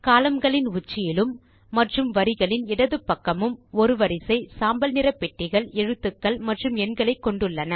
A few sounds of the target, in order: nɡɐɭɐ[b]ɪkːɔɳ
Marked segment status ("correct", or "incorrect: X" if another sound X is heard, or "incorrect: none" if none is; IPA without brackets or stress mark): incorrect: none